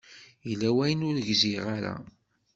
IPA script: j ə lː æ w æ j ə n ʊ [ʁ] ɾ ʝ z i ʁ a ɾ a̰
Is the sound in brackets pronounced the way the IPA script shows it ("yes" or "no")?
no